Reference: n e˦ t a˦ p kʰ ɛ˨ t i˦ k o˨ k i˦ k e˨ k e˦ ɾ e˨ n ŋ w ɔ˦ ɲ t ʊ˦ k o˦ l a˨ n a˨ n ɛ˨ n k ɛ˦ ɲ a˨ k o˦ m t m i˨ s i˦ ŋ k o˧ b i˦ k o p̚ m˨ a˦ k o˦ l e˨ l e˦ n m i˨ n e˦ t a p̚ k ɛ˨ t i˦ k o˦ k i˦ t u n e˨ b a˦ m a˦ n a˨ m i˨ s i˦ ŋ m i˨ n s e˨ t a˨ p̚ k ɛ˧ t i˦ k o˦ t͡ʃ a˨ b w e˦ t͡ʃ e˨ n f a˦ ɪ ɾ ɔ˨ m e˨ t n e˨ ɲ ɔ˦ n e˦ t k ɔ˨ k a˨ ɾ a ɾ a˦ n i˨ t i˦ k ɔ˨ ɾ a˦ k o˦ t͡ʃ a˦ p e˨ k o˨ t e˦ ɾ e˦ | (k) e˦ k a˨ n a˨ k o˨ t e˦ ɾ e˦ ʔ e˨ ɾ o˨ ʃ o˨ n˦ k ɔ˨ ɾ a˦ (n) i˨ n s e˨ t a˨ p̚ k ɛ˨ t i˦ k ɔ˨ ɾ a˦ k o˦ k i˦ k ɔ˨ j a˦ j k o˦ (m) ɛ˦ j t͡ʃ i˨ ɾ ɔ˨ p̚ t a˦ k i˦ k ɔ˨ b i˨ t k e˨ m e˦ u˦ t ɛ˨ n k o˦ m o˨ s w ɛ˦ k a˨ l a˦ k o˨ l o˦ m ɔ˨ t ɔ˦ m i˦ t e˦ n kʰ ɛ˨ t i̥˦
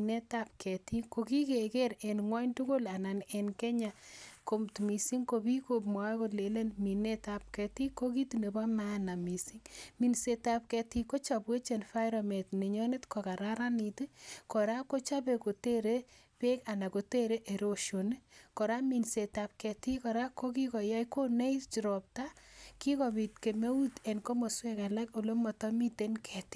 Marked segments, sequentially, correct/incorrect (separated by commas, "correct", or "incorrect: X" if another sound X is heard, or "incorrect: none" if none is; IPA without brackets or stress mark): incorrect: p, incorrect: m, incorrect: n